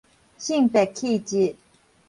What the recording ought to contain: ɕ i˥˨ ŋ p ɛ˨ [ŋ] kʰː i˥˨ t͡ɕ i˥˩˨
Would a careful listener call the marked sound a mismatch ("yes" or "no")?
yes